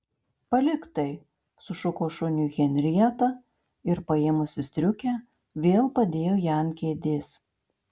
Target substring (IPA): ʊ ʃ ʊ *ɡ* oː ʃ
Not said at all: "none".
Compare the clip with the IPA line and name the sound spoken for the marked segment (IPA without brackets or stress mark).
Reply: k